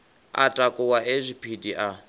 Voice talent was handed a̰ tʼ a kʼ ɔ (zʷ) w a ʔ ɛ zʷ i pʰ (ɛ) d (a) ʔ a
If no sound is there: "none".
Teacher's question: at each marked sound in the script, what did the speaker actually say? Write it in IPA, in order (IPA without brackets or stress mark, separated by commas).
none, i, i